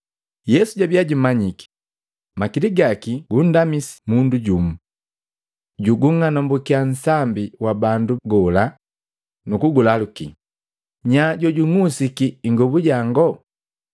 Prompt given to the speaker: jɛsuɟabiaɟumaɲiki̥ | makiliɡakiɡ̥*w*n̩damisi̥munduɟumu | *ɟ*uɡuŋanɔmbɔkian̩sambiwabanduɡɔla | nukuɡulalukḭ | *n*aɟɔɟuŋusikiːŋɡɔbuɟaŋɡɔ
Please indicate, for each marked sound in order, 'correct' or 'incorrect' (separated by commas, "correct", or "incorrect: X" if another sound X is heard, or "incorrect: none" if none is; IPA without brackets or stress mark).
incorrect: u, correct, incorrect: ɲ